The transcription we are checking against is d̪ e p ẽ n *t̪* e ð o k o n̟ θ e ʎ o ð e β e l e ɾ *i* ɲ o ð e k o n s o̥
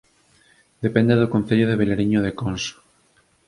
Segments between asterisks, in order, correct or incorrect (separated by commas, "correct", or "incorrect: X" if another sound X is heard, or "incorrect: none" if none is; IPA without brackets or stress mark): incorrect: d̪, correct